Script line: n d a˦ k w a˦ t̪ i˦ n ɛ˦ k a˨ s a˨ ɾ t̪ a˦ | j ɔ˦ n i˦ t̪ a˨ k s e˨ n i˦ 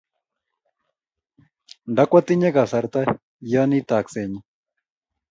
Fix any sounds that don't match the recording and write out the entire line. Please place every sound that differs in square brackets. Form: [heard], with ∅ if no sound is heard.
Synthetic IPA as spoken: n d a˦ k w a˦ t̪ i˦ [ɲ] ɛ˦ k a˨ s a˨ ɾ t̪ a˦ | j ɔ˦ n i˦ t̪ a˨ k s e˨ [ɲ] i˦